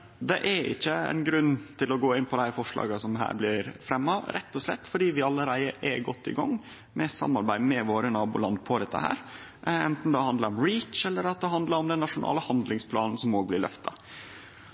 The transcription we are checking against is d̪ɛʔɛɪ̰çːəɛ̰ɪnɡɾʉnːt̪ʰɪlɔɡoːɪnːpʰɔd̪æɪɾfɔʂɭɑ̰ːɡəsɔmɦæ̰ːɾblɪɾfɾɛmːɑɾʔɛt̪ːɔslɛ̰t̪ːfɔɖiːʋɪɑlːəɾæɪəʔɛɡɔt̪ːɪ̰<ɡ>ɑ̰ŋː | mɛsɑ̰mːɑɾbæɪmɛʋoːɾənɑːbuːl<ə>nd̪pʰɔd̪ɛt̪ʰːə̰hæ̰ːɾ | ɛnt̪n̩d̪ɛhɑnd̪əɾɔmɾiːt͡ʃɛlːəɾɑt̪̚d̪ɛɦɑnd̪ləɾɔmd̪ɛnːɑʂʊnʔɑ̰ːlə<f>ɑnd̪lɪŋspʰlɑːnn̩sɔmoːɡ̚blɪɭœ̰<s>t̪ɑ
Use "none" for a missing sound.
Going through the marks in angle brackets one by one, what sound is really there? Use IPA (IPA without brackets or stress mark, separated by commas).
ɡ, ɑ, h, f